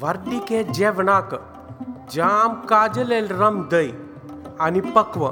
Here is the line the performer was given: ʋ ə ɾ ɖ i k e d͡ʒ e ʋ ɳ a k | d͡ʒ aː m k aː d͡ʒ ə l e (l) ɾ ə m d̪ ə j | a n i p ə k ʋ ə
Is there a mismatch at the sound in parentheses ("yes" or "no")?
no